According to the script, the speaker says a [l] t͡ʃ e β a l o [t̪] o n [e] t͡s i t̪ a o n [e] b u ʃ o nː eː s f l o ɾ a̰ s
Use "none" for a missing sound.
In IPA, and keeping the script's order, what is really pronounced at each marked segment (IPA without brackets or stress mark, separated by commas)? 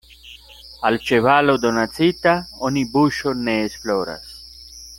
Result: l, d̪, a, i